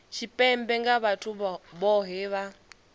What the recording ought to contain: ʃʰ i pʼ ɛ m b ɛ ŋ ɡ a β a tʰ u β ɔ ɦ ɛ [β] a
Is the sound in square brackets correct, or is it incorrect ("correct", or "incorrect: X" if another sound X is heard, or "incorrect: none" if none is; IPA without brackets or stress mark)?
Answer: correct